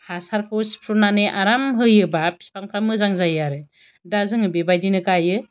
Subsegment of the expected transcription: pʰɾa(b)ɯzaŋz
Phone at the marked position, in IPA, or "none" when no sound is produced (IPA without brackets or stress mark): m